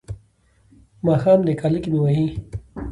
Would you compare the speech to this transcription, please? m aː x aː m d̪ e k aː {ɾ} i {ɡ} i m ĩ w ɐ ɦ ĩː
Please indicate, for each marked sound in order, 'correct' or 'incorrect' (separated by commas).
incorrect, incorrect